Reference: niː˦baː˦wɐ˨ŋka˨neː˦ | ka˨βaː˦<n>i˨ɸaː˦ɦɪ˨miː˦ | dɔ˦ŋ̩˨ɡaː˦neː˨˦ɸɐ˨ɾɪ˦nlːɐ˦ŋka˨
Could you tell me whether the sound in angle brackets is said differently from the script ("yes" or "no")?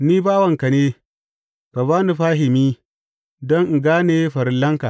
no